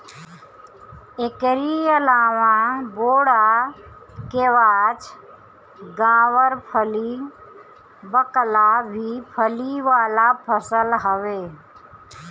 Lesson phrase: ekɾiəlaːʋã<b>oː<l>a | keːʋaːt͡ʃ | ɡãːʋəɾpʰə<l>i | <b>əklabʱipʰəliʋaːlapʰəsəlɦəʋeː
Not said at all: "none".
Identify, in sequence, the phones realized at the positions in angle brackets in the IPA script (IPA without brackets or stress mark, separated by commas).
b, ɽ, l, b